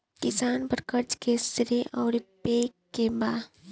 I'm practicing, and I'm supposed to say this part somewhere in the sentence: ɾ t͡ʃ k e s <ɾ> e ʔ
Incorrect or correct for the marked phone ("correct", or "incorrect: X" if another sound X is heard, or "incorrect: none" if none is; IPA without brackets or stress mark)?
correct